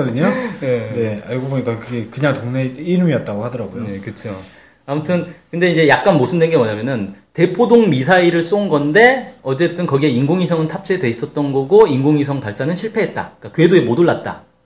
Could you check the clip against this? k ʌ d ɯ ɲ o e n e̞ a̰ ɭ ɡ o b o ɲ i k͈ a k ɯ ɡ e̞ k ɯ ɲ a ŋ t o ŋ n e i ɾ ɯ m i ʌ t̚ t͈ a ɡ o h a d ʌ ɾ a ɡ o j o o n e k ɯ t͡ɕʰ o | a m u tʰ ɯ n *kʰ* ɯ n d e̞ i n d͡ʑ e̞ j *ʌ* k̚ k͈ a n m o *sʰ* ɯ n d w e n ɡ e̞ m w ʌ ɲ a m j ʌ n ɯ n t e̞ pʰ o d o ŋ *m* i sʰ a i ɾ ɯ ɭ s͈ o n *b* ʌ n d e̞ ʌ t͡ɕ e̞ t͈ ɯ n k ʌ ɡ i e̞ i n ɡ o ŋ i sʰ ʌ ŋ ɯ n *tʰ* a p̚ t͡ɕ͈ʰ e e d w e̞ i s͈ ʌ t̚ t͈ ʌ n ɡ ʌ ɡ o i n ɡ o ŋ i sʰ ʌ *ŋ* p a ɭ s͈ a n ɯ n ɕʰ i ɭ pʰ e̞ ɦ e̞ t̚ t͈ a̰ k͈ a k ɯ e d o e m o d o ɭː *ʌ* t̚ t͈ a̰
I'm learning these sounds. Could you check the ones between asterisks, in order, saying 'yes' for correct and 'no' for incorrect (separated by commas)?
no, no, yes, yes, no, yes, yes, no